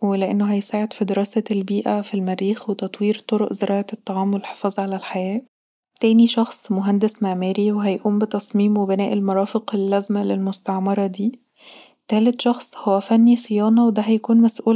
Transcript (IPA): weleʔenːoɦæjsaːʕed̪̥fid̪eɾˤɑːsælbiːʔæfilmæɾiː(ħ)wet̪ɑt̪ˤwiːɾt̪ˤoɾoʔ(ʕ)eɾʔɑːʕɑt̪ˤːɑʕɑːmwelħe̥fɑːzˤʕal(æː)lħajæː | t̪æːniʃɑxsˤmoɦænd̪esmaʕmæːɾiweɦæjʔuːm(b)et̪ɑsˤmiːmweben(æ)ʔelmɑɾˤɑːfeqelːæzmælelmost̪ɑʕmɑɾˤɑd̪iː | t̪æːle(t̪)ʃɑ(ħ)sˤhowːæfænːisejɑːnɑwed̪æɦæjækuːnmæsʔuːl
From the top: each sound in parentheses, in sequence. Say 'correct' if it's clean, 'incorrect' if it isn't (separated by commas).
incorrect, incorrect, incorrect, correct, incorrect, correct, incorrect